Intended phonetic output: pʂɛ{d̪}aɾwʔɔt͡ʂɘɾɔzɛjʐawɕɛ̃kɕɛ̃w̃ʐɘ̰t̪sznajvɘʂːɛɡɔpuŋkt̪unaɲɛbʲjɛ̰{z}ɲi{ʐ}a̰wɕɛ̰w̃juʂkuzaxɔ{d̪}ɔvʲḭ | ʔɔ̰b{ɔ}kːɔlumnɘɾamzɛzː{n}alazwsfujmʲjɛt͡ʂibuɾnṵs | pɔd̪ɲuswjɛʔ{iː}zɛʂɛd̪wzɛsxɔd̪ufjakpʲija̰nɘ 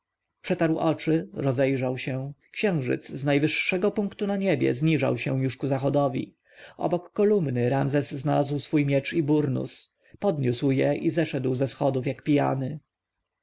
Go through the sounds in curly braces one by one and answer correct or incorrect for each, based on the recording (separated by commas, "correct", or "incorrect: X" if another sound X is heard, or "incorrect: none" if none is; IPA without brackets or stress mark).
incorrect: t̪, correct, correct, correct, correct, correct, incorrect: i